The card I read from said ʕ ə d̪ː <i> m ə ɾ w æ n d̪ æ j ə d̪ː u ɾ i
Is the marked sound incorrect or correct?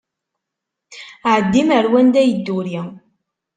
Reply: correct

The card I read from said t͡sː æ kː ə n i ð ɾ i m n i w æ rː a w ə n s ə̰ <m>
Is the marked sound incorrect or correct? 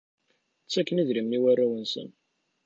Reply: incorrect: n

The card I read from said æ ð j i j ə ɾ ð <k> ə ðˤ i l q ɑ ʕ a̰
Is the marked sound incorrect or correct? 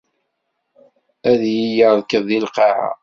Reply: correct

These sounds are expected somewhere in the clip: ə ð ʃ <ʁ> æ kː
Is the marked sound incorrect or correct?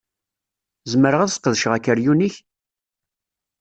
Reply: correct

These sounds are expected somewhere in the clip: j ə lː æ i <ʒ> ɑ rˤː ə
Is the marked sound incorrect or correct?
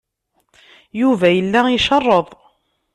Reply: incorrect: ʃ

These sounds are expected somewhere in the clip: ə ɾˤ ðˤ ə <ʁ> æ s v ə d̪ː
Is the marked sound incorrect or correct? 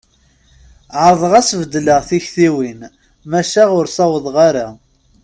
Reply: correct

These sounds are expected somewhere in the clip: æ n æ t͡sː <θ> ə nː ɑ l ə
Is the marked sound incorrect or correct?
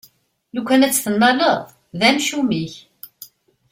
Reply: correct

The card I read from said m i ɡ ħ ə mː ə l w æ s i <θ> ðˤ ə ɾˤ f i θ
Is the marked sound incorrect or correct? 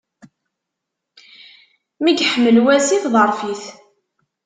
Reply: correct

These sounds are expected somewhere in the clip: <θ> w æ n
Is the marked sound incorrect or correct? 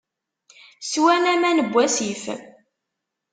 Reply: incorrect: s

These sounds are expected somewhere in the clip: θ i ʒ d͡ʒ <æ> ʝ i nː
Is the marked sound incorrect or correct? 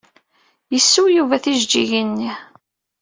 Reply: incorrect: i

